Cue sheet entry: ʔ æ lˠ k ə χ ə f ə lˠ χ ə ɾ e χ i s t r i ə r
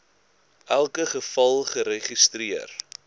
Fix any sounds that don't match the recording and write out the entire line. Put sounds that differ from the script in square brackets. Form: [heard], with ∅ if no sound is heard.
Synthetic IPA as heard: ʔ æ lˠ k ə χ ə f [ɐ] lˠ χ ə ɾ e χ i s t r i ə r